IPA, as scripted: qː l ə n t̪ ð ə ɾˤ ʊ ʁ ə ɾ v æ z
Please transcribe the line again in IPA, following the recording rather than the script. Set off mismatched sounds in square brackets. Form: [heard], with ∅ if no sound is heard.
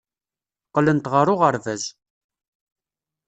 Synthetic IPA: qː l ə n t̪ [ʁ] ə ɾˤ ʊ ʁ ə ɾ v æ z

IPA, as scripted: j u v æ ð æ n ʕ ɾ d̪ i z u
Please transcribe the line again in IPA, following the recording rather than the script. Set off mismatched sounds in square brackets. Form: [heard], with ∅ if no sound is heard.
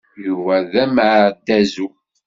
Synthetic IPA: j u v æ ð æ [m] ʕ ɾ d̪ [æ] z u

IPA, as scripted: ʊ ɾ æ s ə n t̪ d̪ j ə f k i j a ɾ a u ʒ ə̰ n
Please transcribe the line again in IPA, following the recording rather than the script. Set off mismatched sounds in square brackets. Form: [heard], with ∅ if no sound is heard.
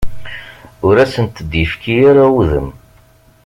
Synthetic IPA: ʊ ɾ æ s ə n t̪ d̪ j ə f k i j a ɾ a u [ð] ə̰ [m]

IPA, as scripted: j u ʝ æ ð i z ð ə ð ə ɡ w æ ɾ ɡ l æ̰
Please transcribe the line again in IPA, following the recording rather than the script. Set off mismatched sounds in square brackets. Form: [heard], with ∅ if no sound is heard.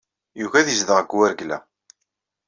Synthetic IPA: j u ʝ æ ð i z ð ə [ʁ] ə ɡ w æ ɾ ɡ l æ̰

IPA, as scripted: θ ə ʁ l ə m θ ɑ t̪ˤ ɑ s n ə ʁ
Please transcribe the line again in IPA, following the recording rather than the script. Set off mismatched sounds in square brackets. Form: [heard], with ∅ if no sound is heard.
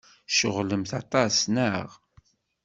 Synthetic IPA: [ʃ] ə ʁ l ə m θ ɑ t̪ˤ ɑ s n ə ʁ

